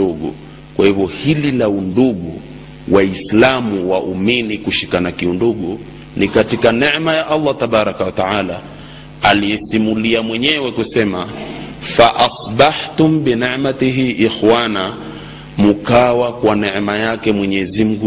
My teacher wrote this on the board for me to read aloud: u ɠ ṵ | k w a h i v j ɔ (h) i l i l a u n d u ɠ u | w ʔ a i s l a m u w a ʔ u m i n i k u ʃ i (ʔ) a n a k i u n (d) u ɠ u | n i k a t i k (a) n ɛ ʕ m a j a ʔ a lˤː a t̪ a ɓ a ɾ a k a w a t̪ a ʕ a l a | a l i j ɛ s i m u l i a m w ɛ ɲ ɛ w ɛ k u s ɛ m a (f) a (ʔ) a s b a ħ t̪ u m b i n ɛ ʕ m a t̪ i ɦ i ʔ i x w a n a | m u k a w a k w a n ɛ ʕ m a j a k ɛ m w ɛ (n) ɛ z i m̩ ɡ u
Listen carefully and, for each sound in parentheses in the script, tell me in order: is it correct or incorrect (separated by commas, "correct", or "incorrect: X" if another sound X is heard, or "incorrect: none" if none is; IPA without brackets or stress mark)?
correct, incorrect: k, correct, correct, correct, correct, incorrect: ɲ